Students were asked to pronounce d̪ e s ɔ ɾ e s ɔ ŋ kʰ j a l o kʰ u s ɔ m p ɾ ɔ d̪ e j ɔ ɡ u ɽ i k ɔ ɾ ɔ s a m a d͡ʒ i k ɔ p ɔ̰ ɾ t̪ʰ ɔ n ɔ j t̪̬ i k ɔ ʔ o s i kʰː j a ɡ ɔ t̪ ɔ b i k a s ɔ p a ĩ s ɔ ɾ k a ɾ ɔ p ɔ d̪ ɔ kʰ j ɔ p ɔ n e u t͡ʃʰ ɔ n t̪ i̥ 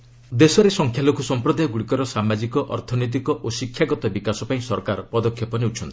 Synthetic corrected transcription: d̪ e s ɔ ɾ e s ɔ ŋ kʰ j a l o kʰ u s ɔ m p ɾ ɔ d̪ a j ɔ ɡ u ɽ i k ɔ ɾ ɔ s a m a d͡ʒ i k ɔ ʔ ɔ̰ ɾ t̪ʰ ɔ n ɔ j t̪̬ i k ɔ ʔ o s i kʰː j a ɡ ɔ t̪ ɔ b i k a s ɔ p a ĩ s ɔ ɾ k a ɾ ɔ p ɔ d̪ ɔ kʰ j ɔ p ɔ n e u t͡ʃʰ ɔ n t̪ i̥